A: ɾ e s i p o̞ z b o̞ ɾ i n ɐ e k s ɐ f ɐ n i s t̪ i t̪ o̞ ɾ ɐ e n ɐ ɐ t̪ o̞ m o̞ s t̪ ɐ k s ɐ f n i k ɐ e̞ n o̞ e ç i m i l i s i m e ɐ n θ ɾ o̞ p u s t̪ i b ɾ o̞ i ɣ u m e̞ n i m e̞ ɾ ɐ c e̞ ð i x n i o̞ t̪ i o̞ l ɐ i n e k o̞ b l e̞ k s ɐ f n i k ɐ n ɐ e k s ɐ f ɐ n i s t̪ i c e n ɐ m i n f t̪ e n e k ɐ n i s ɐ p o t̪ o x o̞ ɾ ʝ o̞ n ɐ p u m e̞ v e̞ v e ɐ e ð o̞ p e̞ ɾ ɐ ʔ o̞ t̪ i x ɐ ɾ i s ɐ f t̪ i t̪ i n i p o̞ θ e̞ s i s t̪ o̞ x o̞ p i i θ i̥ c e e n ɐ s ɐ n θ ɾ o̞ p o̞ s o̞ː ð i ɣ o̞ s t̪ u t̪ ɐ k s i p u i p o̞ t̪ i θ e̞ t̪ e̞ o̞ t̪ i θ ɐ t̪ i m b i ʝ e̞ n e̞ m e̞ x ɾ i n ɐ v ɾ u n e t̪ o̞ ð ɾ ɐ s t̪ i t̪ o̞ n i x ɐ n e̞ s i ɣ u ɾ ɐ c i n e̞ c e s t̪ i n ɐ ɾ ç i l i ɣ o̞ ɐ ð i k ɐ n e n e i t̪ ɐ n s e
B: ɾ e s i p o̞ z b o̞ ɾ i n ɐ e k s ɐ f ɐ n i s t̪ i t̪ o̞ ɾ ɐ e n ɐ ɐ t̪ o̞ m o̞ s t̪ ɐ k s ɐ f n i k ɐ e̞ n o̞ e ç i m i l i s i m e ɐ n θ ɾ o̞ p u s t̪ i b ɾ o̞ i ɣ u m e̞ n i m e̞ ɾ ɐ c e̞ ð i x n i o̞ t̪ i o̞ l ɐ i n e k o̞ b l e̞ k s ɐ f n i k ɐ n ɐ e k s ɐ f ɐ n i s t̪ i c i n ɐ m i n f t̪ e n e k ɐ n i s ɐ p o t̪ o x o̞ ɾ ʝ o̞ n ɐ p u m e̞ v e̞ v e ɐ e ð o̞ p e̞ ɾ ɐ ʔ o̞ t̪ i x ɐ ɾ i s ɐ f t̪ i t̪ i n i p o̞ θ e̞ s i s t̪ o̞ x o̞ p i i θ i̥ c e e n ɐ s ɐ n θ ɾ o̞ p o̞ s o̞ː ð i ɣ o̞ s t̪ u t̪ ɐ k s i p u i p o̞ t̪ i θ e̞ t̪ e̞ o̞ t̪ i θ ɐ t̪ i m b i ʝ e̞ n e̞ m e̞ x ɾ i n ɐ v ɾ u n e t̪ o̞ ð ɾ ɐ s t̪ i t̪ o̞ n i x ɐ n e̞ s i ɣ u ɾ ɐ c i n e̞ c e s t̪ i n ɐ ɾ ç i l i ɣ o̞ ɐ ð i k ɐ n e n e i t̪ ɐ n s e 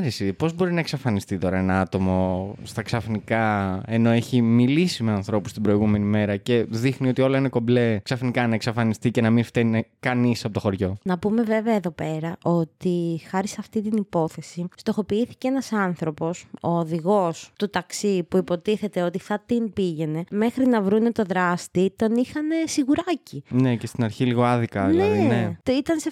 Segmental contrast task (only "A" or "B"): A